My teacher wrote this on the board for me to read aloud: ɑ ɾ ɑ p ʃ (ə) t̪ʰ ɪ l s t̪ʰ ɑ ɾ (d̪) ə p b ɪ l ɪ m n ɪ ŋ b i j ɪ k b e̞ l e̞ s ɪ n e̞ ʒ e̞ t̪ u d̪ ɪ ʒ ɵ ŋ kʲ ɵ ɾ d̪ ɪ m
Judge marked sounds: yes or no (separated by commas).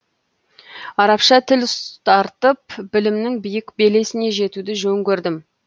no, no